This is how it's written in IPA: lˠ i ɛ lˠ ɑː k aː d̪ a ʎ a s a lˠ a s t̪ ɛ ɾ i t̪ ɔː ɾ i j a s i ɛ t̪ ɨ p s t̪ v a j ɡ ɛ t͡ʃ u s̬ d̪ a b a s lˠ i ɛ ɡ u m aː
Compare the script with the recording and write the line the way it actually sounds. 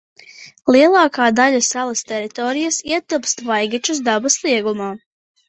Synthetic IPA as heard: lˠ i ɛ lˠ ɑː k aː d̪ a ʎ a s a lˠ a s t̪ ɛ ɾ i t̪ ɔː ɾ i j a s i ɛ t̪ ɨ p s t̪ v a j ɡ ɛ t͡ʃ u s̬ d̪ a b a s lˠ i ɛ ɡ u m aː